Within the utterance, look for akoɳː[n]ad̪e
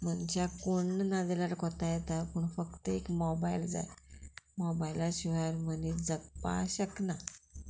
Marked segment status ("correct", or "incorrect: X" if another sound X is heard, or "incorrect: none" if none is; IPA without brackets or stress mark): correct